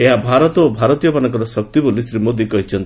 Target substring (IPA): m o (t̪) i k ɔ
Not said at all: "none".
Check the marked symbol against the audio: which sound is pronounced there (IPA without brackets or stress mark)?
d̪